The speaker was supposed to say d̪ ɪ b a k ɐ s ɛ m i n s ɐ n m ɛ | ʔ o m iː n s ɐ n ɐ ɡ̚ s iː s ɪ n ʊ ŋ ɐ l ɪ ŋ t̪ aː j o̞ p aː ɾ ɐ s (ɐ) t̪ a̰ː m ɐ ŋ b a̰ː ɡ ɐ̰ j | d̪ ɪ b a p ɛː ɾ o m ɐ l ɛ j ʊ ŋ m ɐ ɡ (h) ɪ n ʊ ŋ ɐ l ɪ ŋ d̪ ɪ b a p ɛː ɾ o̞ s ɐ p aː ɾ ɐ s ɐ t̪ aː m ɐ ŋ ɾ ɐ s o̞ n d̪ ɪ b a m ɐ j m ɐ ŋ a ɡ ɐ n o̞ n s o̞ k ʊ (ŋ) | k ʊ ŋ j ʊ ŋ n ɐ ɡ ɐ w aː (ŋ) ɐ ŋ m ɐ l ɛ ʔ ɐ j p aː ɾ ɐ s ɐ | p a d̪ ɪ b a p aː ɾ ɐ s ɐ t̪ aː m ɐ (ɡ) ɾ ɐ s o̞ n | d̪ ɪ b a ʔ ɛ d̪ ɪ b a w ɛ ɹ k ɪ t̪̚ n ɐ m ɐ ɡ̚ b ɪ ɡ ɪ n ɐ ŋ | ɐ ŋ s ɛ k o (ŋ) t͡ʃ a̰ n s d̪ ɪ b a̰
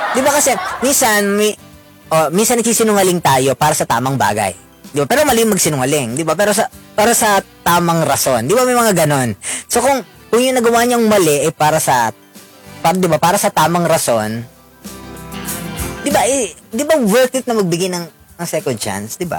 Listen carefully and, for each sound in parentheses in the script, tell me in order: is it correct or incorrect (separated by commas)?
correct, incorrect, correct, incorrect, incorrect, incorrect